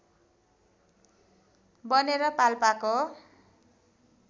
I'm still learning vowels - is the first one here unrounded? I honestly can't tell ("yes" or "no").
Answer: yes